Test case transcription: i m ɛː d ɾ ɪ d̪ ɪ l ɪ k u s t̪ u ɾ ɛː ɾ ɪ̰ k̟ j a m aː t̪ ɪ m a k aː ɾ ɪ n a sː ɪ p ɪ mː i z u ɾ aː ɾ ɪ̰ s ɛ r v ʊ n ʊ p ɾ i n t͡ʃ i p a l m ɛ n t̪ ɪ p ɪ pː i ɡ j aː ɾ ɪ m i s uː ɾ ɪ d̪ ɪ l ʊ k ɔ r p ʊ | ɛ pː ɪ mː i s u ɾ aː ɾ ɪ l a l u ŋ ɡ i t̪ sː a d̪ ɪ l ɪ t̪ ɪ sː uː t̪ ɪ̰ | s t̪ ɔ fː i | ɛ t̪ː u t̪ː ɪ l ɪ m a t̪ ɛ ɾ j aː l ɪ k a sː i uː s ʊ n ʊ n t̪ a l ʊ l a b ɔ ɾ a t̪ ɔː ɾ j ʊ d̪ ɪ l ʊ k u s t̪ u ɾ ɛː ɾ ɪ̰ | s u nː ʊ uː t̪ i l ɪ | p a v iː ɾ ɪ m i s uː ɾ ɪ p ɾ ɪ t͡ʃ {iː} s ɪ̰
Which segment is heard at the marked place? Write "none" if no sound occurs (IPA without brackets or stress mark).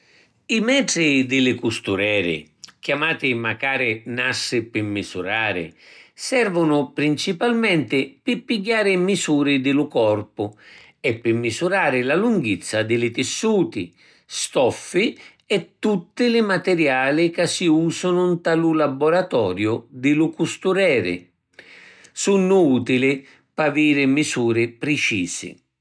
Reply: iː